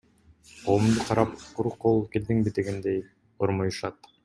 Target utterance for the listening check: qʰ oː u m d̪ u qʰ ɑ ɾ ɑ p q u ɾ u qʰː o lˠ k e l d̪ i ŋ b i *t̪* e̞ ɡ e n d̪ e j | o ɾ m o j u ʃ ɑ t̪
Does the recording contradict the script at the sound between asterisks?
yes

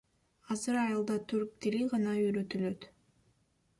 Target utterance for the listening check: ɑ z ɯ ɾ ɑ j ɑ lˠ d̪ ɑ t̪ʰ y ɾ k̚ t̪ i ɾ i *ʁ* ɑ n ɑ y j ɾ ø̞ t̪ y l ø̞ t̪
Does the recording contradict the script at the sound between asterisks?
no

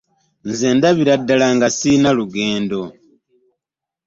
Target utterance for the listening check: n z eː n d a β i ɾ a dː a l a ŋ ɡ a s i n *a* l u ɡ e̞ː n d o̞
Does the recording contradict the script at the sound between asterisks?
no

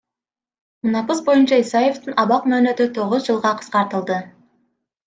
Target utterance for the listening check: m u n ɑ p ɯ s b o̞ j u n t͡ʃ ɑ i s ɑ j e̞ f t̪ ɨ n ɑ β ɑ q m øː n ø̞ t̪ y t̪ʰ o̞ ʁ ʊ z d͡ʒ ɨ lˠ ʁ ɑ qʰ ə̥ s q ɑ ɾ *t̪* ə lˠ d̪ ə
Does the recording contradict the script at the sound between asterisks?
no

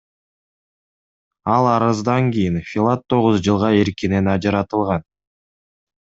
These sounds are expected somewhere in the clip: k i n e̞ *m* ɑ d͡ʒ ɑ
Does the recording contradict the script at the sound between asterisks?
yes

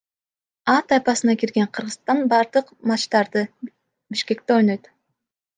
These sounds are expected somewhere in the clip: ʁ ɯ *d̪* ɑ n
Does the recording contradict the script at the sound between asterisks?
yes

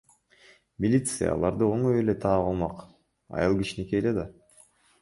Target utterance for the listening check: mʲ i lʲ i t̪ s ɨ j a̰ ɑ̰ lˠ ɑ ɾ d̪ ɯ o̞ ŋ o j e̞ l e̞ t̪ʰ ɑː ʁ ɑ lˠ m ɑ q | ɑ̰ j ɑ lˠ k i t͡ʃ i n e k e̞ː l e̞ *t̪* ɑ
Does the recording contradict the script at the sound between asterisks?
yes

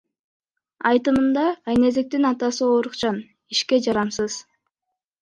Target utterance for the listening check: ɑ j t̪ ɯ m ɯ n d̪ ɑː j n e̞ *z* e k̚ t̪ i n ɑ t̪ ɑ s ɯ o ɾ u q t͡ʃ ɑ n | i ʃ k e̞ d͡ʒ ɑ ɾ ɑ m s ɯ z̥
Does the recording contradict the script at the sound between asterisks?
no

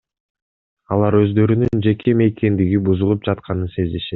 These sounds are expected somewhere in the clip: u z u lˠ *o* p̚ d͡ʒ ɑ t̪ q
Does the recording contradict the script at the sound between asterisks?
yes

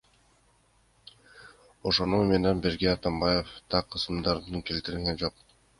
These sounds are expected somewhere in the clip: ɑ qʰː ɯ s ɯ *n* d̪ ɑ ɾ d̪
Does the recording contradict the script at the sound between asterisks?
yes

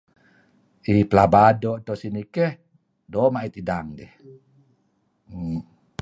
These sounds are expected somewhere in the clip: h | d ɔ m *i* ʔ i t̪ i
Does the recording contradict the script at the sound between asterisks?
yes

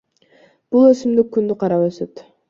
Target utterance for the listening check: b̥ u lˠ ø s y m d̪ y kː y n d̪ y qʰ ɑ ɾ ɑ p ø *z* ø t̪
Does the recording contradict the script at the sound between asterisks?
yes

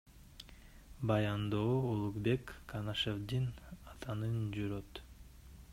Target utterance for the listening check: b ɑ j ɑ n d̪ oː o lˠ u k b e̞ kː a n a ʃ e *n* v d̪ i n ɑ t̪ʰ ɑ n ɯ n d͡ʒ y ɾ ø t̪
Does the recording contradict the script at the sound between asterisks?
yes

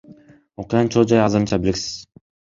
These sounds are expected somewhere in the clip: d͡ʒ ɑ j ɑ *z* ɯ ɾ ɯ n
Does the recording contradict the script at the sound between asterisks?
no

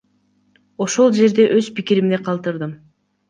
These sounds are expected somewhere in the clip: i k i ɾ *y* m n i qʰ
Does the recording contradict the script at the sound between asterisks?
yes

